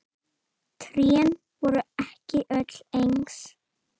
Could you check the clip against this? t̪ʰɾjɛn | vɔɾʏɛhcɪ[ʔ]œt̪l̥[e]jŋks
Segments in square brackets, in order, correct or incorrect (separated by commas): correct, correct